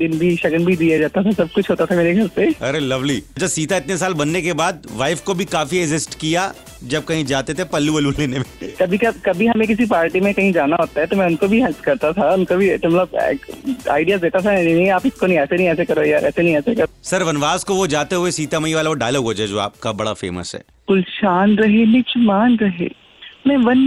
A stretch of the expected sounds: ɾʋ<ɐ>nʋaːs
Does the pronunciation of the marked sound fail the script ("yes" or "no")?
no